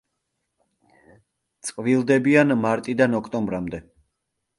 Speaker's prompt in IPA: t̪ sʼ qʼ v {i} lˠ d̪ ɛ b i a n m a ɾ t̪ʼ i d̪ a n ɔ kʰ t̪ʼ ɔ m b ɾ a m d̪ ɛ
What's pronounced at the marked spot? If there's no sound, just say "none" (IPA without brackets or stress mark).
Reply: i